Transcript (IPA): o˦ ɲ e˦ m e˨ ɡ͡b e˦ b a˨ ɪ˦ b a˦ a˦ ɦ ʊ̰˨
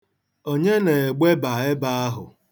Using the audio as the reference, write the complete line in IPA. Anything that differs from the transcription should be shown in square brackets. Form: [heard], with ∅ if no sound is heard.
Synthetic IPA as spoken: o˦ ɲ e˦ [n] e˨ ɡ͡b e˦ b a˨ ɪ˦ b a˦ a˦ ɦ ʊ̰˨